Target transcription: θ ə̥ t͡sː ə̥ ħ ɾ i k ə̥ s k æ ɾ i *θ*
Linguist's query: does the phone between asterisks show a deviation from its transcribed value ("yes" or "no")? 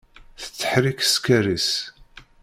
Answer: yes